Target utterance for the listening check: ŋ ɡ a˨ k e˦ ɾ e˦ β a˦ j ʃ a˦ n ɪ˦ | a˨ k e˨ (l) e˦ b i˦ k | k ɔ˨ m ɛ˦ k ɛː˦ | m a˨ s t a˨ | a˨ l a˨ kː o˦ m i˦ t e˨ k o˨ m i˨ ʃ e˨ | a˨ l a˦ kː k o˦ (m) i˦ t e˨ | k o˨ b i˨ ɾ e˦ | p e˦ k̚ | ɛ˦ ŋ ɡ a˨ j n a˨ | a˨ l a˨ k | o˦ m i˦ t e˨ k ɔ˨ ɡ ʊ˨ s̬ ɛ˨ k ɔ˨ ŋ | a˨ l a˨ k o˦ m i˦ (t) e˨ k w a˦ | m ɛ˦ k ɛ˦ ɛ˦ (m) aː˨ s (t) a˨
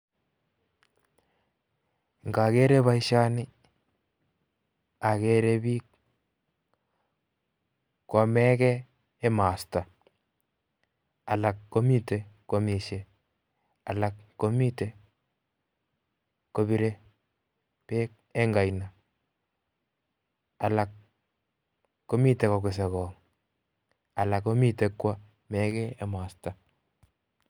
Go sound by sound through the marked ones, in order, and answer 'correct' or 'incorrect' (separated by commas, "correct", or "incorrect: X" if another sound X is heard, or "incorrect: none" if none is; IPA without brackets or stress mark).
incorrect: ɾ, correct, correct, correct, correct